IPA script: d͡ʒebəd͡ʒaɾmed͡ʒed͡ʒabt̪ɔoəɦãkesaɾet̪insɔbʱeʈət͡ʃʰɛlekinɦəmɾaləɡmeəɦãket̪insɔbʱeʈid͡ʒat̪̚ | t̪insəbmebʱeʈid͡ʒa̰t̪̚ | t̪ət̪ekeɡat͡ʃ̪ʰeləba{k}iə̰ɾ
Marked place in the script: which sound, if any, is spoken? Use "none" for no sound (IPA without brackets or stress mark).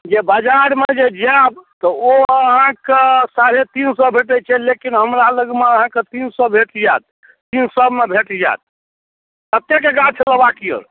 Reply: k